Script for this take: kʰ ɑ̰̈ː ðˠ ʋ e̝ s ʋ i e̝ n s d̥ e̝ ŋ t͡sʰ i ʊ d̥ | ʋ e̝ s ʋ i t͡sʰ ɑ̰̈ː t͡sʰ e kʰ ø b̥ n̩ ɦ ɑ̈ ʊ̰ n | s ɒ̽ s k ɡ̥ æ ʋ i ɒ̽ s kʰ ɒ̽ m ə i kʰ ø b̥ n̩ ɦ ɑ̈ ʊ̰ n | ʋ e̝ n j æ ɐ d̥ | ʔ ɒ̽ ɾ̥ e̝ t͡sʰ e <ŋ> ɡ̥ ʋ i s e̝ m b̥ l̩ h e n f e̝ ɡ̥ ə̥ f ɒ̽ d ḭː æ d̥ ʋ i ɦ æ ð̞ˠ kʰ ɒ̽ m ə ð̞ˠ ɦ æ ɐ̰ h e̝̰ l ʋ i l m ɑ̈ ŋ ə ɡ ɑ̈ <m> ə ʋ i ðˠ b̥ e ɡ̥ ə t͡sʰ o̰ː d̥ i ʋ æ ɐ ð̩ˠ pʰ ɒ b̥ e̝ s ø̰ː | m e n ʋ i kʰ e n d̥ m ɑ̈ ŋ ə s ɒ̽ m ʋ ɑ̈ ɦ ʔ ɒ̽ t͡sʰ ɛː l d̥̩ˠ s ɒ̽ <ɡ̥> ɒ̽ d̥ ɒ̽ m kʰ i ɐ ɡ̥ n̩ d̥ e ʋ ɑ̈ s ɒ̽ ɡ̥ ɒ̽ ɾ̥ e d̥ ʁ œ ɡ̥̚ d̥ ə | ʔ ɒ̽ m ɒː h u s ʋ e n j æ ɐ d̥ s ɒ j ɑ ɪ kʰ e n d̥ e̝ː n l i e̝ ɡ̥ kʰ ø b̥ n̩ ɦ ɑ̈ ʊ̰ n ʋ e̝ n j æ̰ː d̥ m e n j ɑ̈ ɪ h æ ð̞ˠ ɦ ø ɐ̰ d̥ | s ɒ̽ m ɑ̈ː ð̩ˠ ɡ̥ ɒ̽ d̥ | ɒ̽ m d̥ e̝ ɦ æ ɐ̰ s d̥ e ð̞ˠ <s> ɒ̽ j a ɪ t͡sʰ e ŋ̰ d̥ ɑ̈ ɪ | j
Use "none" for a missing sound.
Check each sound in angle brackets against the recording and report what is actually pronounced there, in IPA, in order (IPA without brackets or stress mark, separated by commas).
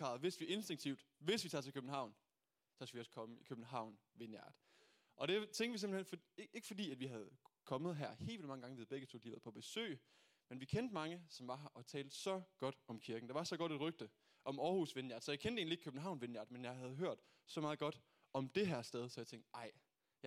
ŋ, ŋ, ɡ̥, s